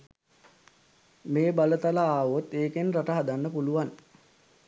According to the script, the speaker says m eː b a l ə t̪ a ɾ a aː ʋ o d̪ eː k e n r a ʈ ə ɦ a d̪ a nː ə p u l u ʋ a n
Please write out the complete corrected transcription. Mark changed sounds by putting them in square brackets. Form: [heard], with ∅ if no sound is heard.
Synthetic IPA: m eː b a l ə t̪ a [l] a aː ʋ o [t̪] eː k e n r a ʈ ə ɦ a d̪ a nː ə p u l u ʋ a n